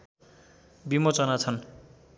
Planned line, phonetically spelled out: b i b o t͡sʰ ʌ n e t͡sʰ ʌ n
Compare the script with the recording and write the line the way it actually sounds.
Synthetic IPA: b i m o t͡s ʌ n a t͡sʰ ʌ n